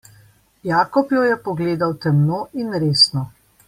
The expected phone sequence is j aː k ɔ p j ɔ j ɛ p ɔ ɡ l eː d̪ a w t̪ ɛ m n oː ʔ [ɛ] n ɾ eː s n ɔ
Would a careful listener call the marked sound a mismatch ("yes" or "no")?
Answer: yes